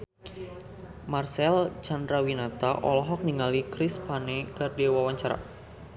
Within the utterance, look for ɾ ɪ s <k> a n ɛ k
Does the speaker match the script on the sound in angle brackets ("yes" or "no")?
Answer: no